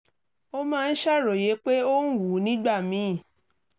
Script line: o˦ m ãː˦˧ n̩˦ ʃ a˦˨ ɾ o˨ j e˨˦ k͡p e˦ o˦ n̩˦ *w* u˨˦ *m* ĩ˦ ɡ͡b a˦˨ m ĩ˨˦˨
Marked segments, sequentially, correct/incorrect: correct, incorrect

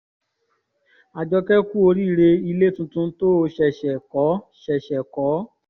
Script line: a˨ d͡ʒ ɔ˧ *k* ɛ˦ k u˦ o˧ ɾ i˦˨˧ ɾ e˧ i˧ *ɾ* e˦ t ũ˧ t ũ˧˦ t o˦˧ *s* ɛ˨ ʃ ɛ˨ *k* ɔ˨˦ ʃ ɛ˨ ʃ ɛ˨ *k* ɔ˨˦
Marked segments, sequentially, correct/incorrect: correct, incorrect, incorrect, correct, correct

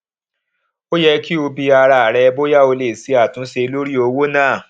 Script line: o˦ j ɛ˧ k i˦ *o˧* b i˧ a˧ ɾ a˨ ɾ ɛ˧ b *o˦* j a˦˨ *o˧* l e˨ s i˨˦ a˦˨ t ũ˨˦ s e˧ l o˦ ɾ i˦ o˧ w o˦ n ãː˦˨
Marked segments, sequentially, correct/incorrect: correct, correct, correct

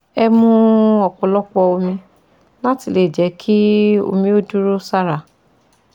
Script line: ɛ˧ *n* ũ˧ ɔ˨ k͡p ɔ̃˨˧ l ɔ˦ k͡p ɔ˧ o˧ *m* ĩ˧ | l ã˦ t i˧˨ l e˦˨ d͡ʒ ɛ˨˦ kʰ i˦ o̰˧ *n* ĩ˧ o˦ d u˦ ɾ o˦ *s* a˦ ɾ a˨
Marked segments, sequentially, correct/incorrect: incorrect, correct, incorrect, correct

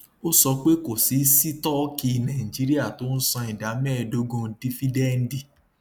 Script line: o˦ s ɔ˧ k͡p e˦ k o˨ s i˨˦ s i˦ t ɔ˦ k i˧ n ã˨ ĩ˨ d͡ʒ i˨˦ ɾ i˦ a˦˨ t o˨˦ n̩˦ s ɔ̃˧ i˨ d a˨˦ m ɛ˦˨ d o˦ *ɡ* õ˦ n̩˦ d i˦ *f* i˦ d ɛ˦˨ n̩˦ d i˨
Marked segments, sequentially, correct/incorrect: correct, correct

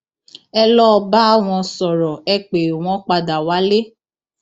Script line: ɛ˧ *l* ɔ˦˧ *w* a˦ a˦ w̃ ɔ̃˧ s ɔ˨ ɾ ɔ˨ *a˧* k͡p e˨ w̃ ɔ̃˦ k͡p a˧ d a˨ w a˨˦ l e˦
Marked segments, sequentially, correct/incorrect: correct, incorrect, incorrect

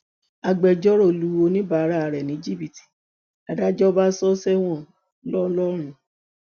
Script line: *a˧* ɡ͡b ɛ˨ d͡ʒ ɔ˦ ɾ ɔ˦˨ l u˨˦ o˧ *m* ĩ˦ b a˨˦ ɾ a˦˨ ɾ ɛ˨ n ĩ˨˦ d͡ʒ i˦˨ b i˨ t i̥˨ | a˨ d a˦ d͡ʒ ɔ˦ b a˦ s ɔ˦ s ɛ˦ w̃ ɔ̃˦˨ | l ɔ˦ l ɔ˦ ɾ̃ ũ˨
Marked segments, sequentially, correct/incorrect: correct, incorrect

